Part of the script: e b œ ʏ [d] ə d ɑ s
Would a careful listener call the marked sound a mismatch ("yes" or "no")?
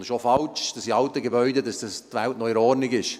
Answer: no